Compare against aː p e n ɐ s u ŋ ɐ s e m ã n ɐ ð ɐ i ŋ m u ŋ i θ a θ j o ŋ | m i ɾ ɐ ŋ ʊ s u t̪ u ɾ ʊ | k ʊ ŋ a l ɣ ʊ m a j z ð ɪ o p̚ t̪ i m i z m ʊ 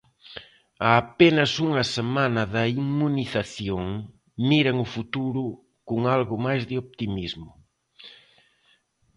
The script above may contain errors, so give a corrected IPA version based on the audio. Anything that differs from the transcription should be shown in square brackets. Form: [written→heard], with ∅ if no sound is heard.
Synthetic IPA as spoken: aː p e n ɐ s u ŋ ɐ s e m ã n ɐ ð ɐ i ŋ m u [ŋ→n] i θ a θ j o ŋ | m i ɾ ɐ ŋ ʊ [s→f] u t̪ u ɾ ʊ | k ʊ ŋ a l ɣ ʊ m a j z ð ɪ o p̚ t̪ i m i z m ʊ